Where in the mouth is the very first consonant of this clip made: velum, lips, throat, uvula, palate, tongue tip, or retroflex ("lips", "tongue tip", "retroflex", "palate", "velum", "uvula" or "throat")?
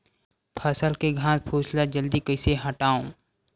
lips